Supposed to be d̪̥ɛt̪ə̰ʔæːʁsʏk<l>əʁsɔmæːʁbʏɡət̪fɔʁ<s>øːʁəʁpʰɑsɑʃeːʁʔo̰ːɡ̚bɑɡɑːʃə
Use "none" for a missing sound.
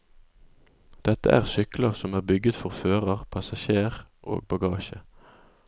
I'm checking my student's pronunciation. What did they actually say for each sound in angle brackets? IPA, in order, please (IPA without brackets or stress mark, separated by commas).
l, f